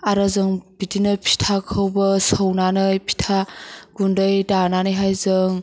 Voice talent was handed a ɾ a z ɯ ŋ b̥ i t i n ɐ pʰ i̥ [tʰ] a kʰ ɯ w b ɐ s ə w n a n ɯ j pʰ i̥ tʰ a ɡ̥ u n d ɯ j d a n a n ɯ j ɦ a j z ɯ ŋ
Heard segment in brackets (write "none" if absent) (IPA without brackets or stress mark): tʰ